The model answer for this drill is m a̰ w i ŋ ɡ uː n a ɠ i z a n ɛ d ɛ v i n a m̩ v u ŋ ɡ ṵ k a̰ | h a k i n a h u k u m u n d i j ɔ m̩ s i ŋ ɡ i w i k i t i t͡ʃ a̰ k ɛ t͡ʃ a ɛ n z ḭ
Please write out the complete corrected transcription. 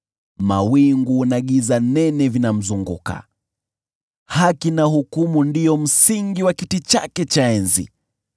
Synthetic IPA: m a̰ w i ŋ ɡ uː n a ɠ i z a n ɛ n ɛ v i n a m̩ z u ŋ ɡ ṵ k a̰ | h a k i n a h u k u m u n d i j ɔ m̩ s i ŋ ɡ i w a k i t i t͡ʃ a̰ k ɛ t͡ʃ a ɛ n z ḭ